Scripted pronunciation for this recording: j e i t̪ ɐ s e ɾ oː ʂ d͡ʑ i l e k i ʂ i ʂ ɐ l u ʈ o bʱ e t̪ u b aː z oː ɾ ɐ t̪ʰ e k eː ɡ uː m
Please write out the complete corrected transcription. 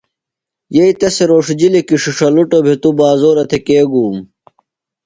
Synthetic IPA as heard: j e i t̪ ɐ s e ɾ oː ʂ d͡ʑ i l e k i ʂ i ʂ ɐ l u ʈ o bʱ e t̪ u b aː z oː ɾ ɐ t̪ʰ e k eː ɡ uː m